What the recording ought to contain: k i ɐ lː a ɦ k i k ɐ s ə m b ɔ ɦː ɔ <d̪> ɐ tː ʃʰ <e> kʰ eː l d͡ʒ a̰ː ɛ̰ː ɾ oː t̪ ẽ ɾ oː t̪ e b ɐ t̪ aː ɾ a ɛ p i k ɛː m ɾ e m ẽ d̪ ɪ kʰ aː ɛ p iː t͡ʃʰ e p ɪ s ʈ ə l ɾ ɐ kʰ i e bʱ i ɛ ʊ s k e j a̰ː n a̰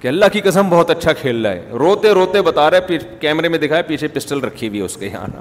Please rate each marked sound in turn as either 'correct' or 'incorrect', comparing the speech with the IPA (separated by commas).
incorrect, incorrect